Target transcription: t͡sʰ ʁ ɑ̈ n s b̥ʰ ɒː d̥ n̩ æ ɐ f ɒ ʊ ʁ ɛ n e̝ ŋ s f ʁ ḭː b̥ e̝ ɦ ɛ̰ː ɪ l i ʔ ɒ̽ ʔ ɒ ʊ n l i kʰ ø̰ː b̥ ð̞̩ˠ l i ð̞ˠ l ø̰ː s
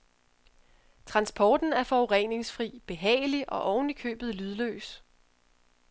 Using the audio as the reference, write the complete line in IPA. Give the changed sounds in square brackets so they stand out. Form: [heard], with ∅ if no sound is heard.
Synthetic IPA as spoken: t͡sʰ ʁ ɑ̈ n s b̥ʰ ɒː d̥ n̩ æ ɐ f ɒ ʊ ʁ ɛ n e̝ ŋ s f ʁ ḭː b̥ e̝ ɦ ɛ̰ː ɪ l i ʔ ɒ̽ ʔ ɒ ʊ n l i kʰ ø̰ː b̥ ð̞̩ˠ l [y] ð̞ˠ l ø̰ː s